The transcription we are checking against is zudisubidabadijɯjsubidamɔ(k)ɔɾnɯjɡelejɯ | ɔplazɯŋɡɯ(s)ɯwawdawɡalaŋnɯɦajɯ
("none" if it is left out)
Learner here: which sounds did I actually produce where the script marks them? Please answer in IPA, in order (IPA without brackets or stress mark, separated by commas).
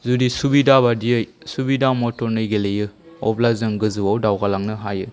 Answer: t, z